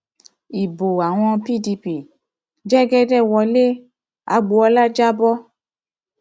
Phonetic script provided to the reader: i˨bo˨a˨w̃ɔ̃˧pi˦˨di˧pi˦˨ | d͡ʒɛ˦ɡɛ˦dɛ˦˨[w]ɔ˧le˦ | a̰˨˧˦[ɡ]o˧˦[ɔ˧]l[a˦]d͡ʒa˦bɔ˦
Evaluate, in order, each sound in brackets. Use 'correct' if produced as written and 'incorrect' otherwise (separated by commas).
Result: correct, incorrect, correct, correct